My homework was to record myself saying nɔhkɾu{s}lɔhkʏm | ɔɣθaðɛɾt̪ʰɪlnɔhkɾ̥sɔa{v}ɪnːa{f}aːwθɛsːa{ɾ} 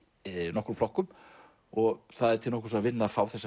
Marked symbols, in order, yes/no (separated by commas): no, yes, yes, no